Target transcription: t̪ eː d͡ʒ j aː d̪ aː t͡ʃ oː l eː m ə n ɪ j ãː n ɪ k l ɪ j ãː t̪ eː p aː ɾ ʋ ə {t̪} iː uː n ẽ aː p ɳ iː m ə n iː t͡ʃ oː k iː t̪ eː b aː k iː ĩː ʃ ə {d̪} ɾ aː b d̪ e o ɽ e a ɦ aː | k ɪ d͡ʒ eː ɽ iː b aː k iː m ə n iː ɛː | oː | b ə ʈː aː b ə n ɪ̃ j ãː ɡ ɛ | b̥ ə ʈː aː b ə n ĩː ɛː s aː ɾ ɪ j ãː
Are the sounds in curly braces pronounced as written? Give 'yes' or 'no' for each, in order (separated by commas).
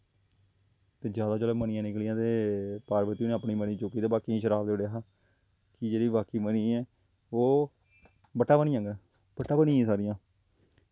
yes, no